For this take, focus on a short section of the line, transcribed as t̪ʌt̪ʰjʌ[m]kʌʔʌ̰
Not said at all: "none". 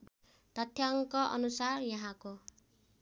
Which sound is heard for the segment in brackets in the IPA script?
ŋ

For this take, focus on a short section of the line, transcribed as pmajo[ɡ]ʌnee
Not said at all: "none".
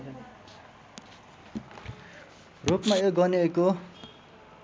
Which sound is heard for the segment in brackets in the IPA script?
ɡ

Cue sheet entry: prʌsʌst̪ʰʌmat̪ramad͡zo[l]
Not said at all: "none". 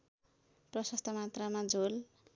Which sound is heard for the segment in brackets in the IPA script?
l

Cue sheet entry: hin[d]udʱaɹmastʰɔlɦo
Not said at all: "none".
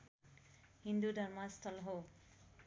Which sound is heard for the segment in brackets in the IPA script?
d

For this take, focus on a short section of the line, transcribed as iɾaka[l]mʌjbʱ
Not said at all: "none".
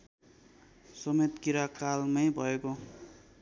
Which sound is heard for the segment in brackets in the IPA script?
l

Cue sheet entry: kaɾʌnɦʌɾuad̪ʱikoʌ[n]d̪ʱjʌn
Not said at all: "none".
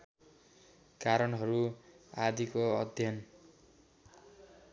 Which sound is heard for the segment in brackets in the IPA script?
none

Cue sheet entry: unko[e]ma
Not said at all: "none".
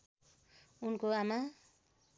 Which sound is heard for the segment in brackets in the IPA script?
a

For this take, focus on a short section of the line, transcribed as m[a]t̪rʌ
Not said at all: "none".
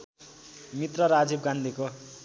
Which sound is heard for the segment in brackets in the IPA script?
i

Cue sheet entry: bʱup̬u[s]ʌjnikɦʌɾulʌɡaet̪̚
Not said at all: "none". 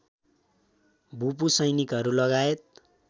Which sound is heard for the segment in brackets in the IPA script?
s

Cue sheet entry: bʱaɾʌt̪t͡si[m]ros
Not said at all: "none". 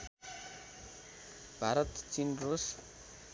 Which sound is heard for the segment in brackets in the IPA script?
n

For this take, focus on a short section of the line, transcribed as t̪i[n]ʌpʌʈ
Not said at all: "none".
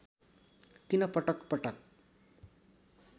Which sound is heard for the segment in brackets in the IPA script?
n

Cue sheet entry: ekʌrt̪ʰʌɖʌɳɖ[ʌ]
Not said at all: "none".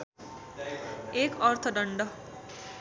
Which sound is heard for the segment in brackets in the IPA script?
ʌ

